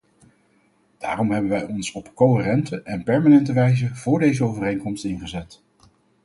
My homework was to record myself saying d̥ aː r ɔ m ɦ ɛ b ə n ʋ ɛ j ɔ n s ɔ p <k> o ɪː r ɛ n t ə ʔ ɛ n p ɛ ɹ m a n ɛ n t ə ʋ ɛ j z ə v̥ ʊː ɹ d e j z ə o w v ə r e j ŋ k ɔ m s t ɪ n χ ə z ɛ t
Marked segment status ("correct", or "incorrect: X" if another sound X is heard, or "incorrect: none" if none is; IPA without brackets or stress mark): correct